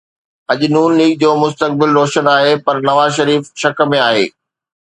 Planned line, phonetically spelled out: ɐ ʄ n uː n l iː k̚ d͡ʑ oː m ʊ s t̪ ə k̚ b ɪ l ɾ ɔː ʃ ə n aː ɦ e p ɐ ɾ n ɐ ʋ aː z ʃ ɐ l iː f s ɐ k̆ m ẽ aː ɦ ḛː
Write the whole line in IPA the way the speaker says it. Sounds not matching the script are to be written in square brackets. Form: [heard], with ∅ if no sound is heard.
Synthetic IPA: ɐ ʄ n uː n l iː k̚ d͡ʑ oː m ʊ s t̪ ə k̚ b ɪ l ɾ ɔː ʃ ə n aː ɦ e p ɐ ɾ n ɐ ʋ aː z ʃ ɐ [ɾ] iː f [ʃ] ɐ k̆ m ẽ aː ɦ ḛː